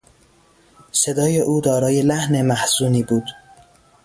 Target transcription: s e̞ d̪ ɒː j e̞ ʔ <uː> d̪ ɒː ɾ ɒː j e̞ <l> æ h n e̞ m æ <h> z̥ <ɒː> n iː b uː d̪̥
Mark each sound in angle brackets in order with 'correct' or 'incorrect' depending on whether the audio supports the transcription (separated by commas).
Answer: correct, correct, correct, incorrect